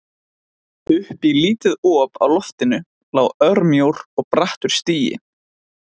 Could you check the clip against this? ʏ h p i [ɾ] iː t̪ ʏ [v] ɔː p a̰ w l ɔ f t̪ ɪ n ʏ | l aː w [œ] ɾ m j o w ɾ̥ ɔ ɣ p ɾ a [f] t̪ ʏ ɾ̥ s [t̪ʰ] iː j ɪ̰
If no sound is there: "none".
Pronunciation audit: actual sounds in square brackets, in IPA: l, ð, œ, h, t̪

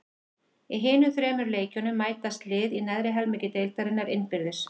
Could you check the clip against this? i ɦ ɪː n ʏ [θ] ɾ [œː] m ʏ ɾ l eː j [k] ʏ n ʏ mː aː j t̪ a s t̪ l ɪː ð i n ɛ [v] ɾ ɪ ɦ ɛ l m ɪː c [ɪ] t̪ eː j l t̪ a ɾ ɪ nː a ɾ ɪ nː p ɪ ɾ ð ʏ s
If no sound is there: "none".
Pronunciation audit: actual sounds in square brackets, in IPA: θ, ɛː, c, ð, ɪ

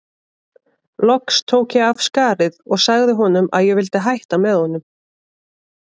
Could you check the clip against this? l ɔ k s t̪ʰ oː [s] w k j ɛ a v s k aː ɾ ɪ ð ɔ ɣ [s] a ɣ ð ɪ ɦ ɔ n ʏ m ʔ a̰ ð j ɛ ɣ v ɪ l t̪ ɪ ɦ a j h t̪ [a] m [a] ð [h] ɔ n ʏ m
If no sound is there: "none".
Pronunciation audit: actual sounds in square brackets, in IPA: none, s, a, ɛ, h

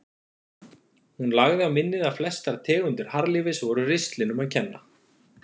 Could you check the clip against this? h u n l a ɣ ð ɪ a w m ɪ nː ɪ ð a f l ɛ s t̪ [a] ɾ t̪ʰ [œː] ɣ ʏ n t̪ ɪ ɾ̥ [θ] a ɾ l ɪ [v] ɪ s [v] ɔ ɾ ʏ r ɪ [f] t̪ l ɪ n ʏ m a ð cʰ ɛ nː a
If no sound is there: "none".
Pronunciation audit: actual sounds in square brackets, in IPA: a, ɛː, h, v, v, s

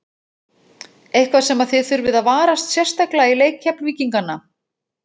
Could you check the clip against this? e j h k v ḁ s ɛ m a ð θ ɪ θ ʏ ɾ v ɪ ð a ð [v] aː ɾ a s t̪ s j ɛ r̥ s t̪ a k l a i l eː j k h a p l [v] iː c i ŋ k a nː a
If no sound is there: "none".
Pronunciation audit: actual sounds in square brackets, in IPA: v, v

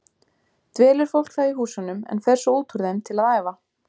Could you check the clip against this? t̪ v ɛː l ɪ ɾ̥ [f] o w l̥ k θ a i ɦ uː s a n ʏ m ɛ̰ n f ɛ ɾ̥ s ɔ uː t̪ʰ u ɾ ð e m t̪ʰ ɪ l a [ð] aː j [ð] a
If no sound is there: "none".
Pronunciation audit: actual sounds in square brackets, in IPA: f, ð, v

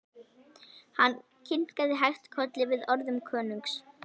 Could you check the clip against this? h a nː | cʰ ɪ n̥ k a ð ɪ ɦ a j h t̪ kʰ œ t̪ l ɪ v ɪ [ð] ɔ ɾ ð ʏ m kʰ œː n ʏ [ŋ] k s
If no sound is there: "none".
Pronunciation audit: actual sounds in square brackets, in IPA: ð, ŋ

